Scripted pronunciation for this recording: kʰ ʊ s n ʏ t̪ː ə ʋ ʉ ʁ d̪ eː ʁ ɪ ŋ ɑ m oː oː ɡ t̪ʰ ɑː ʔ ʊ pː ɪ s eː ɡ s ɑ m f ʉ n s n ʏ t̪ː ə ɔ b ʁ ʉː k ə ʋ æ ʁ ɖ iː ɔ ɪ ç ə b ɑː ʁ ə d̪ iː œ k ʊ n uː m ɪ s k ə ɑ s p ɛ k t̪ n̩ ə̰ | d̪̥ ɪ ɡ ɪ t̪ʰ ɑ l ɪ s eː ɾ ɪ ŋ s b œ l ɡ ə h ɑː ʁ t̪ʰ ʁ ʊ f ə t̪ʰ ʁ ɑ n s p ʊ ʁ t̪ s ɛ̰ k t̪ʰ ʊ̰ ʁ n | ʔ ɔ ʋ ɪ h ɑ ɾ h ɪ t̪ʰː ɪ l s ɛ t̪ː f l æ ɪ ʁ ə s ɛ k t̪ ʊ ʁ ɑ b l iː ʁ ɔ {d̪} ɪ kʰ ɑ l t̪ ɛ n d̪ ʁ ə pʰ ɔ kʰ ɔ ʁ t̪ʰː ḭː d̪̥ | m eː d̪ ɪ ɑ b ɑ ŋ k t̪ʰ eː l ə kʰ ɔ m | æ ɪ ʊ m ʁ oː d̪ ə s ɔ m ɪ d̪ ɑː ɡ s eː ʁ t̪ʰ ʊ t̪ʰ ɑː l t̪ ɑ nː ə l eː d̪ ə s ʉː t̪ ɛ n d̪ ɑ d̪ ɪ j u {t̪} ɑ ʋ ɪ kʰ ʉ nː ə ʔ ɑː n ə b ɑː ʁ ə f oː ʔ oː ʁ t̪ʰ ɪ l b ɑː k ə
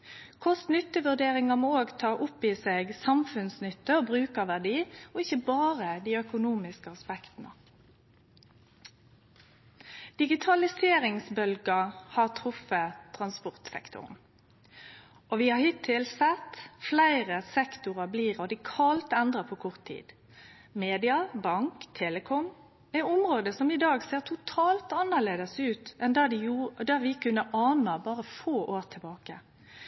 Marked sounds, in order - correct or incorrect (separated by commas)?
correct, incorrect